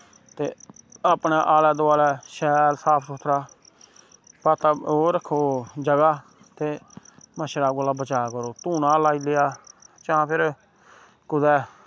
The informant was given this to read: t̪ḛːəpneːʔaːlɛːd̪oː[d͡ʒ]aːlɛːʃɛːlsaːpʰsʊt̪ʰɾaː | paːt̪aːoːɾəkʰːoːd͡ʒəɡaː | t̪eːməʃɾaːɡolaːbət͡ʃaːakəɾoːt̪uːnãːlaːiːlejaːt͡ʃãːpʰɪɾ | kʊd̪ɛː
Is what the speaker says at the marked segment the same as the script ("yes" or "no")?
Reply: no